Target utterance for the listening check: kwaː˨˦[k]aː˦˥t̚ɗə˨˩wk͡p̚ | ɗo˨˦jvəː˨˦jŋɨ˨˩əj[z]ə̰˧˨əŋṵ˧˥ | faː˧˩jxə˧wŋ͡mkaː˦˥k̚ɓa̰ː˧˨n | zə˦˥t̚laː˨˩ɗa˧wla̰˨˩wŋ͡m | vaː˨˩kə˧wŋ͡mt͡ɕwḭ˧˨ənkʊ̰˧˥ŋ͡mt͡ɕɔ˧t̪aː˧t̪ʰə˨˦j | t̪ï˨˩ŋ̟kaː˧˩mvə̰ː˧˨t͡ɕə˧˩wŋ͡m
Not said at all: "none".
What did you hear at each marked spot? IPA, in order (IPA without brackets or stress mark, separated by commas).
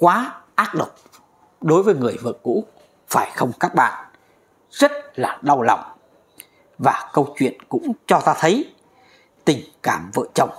ʔ, v